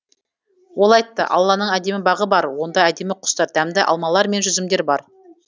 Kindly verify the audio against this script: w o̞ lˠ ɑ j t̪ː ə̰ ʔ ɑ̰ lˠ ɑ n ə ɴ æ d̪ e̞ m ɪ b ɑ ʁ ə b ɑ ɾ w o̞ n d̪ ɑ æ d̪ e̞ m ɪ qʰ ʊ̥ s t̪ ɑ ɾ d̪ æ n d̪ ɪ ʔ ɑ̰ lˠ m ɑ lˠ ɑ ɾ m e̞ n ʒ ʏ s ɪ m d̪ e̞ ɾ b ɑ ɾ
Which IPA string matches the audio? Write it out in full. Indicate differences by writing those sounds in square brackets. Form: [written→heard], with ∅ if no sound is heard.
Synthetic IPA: w o̞ lˠ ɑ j t̪ː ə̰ ʔ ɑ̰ [lˠ→lˠː] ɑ n ə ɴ æ d̪ e̞ m ɪ b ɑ ʁ ə b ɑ ɾ w o̞ n d̪ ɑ æ d̪ e̞ m ɪ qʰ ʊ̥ s t̪ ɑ ɾ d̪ æ [n→m] d̪ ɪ ʔ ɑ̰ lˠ m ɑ lˠ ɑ ɾ m e̞ n ʒ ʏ [s→z] ɪ m d̪ e̞ ɾ b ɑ ɾ